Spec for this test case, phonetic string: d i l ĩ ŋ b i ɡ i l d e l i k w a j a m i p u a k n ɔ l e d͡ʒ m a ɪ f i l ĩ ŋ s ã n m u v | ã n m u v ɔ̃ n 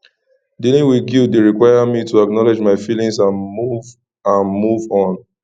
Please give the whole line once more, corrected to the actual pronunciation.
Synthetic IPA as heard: d i l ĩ ŋ w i ɡ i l d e ɹ i k w a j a m i t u a k n ɔ l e d͡ʒ m a ɪ f i l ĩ ŋ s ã n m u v | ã n m u v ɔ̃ n